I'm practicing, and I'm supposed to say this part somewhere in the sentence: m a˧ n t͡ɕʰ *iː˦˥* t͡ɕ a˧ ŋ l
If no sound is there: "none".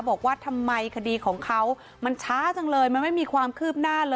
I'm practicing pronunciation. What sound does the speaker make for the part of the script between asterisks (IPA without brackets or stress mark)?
aː˦˥